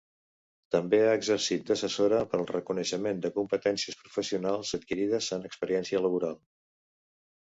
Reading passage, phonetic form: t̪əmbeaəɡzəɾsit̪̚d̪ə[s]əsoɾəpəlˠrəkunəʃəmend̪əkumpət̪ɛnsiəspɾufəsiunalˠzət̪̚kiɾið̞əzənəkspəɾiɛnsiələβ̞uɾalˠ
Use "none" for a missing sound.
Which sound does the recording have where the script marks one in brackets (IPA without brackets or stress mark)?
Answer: s